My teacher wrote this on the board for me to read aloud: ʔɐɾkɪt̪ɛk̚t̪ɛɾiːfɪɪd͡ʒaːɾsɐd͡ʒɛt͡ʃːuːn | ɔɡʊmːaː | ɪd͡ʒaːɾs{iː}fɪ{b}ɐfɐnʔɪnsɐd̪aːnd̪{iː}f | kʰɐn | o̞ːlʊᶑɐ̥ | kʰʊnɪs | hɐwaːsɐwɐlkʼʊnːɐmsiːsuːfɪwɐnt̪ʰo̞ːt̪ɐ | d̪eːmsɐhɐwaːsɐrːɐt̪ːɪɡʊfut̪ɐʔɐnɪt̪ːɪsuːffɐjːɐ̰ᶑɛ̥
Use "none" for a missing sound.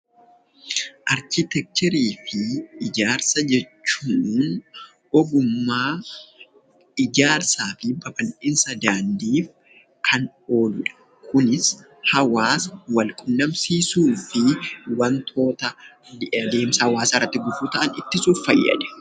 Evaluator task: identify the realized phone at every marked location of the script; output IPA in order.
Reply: aː, b, iː

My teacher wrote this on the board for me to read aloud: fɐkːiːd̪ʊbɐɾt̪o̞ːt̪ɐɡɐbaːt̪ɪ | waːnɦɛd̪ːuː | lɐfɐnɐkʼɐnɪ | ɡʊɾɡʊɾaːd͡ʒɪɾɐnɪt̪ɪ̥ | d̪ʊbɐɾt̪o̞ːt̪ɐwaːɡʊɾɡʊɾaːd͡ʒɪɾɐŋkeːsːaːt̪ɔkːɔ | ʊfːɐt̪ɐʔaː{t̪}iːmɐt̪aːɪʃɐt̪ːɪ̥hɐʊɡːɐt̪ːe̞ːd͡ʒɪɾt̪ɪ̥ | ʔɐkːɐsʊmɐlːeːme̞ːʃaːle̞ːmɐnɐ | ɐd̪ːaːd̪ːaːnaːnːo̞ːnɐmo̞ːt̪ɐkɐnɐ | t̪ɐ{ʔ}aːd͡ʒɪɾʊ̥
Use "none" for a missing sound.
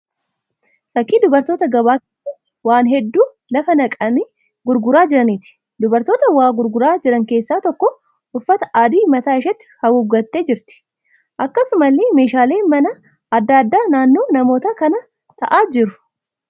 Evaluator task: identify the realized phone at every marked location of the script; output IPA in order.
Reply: d̪, ʔ

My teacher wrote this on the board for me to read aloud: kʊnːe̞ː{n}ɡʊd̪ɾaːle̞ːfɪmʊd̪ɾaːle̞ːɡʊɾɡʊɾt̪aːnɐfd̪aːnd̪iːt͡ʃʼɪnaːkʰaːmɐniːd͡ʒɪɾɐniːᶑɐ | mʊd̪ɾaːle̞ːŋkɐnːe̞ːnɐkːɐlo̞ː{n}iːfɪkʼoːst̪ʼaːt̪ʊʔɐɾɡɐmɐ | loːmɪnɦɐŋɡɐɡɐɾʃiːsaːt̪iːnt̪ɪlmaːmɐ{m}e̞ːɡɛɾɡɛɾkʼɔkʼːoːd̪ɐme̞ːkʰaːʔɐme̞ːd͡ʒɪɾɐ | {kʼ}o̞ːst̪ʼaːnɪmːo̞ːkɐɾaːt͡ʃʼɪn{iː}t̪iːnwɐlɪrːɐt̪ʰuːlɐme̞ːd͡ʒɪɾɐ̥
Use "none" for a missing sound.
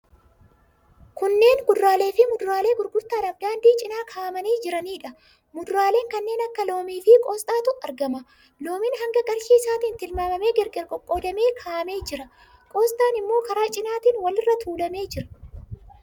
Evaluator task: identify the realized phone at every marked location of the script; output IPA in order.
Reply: n, m, m, kʼ, aː

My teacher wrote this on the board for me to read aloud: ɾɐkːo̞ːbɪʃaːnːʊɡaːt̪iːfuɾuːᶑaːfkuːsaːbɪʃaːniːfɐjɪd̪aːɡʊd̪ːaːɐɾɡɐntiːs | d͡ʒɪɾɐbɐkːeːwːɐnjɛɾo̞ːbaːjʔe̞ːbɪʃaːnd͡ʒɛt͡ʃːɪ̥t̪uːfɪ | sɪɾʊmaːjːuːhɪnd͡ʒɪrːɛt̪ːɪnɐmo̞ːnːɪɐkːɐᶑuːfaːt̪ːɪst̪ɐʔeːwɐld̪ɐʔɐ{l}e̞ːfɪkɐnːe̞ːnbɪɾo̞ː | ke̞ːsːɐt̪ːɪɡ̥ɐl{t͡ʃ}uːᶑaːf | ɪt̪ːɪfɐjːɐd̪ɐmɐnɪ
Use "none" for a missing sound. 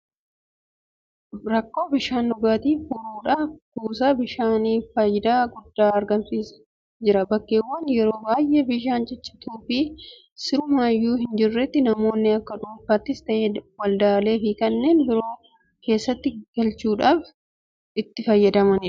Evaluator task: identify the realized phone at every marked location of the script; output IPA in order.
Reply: l, t͡ʃ

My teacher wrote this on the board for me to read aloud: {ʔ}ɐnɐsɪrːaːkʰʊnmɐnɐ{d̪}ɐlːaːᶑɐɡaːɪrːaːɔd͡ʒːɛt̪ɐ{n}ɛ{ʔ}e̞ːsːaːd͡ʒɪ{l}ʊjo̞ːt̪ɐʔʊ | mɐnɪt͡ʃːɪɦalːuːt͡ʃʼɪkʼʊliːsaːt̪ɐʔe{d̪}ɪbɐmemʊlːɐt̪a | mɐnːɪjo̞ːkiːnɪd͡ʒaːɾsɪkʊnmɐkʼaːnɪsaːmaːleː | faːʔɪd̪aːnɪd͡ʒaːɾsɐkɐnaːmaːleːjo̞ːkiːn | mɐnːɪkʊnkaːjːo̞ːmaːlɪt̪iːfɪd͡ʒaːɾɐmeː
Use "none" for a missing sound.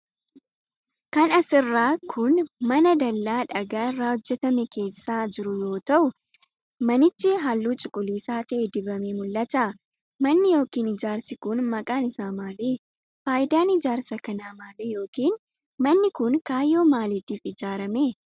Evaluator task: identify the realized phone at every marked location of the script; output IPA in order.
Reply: k, d̪, m, k, ɾ, d̪

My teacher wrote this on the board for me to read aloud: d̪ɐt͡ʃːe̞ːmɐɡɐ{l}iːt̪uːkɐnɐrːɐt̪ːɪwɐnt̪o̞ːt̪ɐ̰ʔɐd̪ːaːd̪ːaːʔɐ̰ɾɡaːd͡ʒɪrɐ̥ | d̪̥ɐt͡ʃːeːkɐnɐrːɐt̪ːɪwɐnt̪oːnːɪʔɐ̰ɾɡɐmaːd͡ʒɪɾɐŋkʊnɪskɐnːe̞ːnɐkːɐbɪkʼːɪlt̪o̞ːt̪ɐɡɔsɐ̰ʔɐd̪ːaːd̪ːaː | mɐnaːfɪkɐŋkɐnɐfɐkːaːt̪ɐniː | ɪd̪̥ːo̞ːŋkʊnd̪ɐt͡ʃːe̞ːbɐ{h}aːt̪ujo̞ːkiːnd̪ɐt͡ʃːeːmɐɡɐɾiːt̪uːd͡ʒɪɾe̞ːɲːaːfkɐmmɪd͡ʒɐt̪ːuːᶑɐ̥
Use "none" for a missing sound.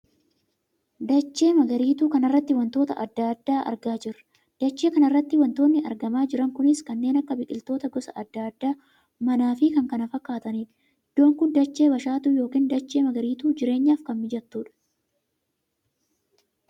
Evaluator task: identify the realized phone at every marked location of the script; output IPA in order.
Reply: ɾ, ʃ

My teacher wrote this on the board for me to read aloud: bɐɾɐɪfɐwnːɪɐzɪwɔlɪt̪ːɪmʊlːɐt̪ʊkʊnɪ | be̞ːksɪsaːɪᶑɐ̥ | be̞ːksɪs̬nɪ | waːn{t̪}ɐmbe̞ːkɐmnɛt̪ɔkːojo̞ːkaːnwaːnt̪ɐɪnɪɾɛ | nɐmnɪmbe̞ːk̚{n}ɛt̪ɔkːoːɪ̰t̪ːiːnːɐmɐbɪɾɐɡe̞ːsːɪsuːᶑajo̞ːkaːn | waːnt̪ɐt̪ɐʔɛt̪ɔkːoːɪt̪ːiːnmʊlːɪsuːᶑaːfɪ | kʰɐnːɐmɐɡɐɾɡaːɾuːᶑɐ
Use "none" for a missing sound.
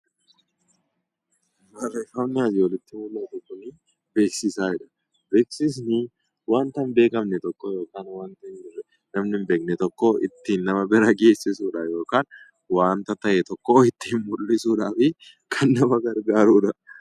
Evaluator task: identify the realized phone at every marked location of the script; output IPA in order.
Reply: t̪, n

